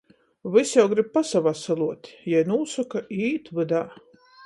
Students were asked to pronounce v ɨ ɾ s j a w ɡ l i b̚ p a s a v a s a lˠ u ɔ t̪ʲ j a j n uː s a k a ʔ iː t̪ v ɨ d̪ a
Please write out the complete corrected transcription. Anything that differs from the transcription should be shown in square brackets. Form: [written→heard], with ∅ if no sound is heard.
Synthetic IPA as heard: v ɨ [ɾ→∅] s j a w ɡ [l→ɾ] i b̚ p a s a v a s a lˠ u ɔ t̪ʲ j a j n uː s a k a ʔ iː t̪ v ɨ d̪ a